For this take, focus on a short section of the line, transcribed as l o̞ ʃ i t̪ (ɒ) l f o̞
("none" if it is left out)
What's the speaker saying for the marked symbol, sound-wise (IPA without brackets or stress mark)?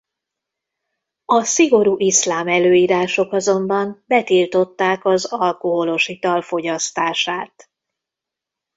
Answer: ɒ